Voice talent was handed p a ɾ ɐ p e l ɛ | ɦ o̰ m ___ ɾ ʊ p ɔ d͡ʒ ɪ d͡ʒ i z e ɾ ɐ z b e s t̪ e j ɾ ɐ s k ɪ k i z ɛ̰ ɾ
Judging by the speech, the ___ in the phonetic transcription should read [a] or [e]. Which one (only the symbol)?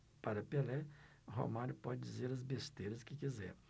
a